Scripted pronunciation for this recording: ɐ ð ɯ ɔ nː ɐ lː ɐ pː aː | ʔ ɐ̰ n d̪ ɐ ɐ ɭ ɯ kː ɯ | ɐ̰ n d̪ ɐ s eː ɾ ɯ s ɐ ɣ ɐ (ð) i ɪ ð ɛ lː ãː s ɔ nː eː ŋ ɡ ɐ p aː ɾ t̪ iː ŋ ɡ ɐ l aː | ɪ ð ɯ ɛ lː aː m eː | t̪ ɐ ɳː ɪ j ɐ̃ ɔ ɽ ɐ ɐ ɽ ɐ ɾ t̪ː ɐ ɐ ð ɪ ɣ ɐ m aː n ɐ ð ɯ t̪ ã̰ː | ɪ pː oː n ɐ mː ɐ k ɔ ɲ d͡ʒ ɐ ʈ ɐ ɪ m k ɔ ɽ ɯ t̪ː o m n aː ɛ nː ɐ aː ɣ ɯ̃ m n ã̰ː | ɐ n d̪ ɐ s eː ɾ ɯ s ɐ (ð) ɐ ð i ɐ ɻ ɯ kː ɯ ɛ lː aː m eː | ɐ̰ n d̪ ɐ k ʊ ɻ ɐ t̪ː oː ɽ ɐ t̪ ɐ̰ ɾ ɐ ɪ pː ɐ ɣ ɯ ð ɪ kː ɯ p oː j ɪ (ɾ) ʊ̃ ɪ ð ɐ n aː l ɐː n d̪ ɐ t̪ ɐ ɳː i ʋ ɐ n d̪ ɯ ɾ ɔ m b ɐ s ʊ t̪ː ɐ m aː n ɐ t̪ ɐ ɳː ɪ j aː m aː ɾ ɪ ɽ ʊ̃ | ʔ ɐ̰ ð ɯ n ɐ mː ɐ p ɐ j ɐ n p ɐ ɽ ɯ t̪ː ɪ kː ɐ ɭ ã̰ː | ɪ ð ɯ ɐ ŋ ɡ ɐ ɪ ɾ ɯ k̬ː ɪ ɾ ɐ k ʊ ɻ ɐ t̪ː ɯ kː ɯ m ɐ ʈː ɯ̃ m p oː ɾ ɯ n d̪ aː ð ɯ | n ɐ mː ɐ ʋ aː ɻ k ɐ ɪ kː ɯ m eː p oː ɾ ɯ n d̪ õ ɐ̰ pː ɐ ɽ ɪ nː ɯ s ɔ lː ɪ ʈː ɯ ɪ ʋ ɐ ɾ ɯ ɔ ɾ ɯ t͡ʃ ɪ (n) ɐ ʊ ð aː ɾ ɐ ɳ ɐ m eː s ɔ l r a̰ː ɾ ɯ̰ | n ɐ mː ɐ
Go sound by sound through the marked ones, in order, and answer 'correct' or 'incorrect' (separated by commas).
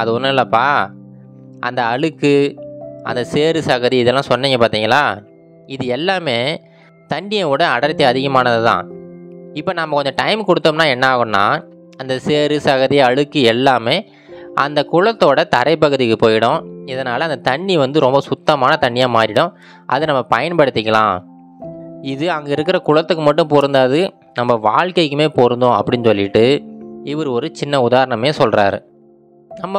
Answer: correct, incorrect, incorrect, incorrect